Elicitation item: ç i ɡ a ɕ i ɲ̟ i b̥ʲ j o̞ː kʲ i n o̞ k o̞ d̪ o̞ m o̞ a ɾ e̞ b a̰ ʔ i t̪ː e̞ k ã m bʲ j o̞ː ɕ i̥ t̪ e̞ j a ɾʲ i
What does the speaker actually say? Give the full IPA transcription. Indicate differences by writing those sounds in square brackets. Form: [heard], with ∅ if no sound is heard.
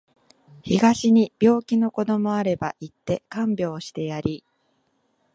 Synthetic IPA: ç i ɡ a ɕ i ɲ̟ i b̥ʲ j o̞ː kʲ i n o̞ k o̞ d̪ o̞ m o̞ a ɾ e̞ b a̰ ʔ i t̪ː e̞ k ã m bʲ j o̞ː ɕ i̥ t̪ e̞ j a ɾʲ i

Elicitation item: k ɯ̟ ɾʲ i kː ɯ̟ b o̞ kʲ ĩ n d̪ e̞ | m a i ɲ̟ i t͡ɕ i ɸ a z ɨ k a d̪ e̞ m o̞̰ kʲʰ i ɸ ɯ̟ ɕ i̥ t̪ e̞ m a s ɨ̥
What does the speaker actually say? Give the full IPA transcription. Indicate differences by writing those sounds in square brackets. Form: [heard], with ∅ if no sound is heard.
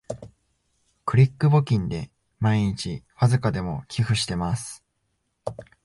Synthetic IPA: k ɯ̟ ɾʲ i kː ɯ̟ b o̞ kʲ ĩ n d̪ e̞ | m a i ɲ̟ i t͡ɕ i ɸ a z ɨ k a d̪ e̞ m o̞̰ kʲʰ i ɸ ɯ̟ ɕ i̥ t̪ e̞ m a s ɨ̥

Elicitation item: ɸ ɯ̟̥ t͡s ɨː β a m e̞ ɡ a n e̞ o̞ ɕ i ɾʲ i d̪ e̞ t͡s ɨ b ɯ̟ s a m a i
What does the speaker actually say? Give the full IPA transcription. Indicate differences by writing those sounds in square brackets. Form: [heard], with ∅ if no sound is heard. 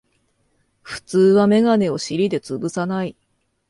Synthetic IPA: ɸ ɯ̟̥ t͡s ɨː β a m e̞ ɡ a n e̞ o̞ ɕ i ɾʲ i d̪ e̞ t͡s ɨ b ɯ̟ s a [n] a i

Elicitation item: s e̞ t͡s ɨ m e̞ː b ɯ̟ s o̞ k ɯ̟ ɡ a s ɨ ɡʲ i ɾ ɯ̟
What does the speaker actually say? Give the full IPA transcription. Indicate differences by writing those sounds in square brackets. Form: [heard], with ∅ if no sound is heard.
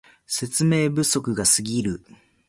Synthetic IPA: s e̞ t͡s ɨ m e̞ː b ɯ̟ s o̞ k ɯ̟ ɡ a s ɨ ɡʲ i ɾ ɯ̟

